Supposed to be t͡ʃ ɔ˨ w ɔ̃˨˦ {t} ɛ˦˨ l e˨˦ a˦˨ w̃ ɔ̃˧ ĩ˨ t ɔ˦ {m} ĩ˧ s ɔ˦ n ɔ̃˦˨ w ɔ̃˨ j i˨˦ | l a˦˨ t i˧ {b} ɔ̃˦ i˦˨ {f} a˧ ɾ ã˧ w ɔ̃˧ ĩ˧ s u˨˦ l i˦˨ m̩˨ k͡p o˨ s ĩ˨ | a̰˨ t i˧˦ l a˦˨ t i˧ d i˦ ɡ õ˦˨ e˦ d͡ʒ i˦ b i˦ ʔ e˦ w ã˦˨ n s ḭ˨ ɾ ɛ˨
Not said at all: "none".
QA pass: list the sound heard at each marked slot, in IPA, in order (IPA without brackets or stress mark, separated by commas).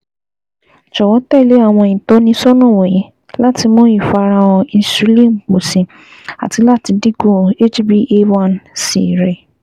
t, n, m, f